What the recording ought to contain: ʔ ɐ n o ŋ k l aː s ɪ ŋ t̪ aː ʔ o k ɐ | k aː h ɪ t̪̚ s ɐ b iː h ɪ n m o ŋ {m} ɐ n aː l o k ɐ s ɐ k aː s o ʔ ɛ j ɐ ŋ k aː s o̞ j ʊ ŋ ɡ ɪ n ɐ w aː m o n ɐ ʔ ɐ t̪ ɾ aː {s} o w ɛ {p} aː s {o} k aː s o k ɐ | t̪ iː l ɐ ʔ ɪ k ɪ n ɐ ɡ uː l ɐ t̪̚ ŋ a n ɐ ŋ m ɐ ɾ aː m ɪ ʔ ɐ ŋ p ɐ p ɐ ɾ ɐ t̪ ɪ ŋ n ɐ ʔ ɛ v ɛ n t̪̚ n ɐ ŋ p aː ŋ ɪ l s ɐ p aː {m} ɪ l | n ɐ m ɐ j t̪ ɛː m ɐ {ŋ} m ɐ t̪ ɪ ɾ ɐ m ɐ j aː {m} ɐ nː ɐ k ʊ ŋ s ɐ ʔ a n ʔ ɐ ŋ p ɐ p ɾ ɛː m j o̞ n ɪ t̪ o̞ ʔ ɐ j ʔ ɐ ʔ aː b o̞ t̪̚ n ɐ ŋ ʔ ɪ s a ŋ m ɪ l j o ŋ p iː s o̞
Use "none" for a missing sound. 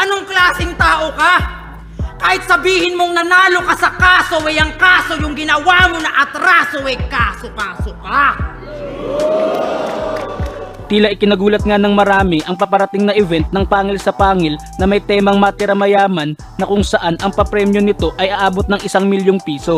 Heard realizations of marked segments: n, s, k, o, ŋ, ŋ, m

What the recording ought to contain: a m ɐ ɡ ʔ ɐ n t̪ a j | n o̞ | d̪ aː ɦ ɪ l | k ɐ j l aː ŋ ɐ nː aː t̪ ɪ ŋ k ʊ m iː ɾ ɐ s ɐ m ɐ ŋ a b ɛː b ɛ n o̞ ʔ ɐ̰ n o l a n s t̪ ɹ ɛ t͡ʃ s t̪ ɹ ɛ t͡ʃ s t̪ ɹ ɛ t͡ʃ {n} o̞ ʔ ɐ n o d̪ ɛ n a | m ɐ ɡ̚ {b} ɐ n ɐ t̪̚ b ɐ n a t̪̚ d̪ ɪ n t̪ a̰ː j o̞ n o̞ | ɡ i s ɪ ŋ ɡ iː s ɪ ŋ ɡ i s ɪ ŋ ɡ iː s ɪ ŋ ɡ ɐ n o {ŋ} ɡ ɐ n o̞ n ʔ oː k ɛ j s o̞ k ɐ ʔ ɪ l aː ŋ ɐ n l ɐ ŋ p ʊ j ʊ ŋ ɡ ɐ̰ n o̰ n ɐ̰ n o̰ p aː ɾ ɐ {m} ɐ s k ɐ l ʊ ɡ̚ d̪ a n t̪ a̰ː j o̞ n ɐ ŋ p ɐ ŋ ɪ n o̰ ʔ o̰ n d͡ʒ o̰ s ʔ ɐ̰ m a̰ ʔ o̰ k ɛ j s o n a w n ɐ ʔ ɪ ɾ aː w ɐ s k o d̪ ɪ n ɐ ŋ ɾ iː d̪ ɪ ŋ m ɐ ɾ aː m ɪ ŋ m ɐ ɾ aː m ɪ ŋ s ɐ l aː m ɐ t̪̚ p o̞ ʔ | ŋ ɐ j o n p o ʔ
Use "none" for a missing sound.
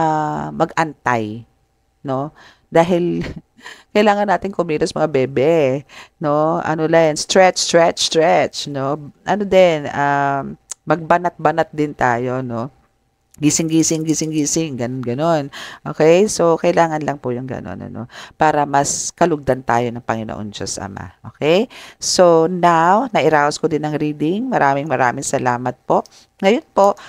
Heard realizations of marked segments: n, b, n, m

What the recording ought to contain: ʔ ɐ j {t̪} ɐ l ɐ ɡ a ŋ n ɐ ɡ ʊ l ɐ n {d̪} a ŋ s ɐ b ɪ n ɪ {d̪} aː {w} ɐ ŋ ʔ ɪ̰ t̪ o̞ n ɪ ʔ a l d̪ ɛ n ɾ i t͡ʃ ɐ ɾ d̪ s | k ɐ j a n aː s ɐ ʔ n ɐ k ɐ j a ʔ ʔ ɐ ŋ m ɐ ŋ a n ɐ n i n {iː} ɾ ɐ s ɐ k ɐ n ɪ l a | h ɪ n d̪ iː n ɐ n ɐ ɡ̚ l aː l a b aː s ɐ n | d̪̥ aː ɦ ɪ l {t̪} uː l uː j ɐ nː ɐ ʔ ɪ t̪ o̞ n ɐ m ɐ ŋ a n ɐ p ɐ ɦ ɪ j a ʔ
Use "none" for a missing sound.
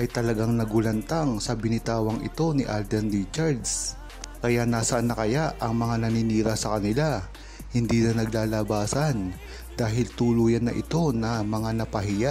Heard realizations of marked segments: t̪, t̪, t̪, w, iː, t̪

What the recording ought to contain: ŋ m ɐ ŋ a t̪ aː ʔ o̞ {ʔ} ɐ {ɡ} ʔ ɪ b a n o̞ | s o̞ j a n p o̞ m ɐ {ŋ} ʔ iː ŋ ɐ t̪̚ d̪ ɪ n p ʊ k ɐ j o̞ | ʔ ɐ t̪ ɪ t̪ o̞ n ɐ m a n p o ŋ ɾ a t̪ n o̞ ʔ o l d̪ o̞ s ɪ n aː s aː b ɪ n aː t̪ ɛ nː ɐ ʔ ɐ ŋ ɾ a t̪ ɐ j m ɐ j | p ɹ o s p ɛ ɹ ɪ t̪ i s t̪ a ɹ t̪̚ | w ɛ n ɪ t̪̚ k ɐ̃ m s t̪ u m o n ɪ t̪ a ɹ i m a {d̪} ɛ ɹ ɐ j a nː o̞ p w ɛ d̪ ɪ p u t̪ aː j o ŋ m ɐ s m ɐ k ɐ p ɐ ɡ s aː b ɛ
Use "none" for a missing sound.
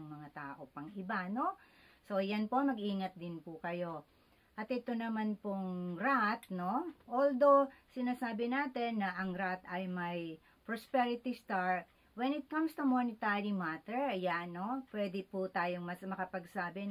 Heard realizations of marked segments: p, ŋ, ɡ, t̪

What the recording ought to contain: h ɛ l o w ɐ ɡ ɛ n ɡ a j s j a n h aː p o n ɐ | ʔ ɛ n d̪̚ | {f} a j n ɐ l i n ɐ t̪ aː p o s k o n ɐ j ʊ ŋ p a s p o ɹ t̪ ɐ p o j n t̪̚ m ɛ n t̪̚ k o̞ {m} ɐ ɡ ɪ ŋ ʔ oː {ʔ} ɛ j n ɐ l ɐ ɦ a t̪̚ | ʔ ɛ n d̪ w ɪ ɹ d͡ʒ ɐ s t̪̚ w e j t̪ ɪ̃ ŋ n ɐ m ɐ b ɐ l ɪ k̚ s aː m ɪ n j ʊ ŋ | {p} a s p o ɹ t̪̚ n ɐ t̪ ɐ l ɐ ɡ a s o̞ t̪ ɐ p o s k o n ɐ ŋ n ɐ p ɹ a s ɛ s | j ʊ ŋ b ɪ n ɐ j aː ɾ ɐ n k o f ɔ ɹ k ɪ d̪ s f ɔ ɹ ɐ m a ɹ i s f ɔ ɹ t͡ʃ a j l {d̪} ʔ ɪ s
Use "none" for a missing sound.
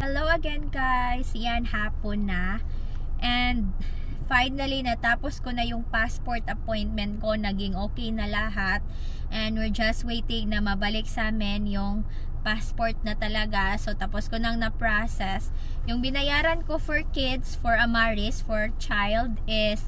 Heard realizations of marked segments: f, n, k, p, d̪

